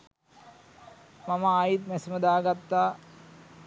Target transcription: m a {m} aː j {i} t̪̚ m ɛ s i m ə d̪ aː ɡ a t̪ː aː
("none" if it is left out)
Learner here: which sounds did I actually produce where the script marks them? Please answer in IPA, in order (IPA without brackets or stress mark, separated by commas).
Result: m, i